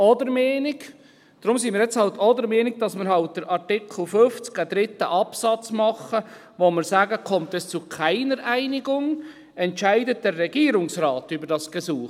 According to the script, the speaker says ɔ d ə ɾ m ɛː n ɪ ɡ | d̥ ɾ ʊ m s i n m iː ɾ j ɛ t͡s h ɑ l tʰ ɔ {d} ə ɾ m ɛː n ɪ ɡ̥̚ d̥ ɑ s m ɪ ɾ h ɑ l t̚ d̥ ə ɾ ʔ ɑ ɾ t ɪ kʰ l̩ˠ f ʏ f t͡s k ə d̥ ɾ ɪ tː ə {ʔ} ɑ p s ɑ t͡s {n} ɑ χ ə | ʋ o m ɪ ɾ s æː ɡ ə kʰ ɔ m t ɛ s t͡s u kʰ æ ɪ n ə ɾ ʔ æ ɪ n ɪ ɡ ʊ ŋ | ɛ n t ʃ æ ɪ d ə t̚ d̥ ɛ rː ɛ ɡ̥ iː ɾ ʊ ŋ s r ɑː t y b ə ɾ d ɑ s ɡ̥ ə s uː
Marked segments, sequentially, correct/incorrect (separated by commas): correct, correct, incorrect